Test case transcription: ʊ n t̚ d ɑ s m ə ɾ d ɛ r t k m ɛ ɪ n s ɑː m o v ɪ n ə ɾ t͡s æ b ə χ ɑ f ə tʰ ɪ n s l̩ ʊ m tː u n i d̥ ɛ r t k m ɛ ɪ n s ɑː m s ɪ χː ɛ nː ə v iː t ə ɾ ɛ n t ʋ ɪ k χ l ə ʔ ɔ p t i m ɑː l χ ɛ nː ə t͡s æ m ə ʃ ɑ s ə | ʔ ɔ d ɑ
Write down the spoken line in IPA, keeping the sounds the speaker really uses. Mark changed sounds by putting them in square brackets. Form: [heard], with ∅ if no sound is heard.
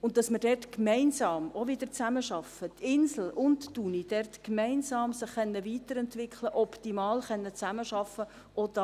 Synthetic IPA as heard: ʊ n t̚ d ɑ s m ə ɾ d ɛ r t k m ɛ ɪ n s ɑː m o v ɪ [d] ə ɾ t͡s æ [m] ə [ʃ] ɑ f ə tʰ ɪ n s l̩ ʊ [n] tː u n i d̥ ɛ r t k m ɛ ɪ n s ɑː m s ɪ χː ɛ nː ə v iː t ə ɾ ɛ n t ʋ ɪ k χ l ə ʔ ɔ p t i m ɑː l χ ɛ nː ə t͡s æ m ə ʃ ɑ [f] ə | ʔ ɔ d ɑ